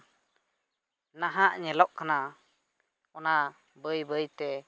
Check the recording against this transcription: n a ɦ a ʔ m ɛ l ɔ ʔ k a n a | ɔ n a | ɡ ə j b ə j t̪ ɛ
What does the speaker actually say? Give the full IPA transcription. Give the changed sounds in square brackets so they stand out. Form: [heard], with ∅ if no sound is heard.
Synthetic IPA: n a ɦ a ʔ [ɲ] ɛ l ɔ ʔ k a n a | ɔ n a | [b] ə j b ə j t̪ ɛ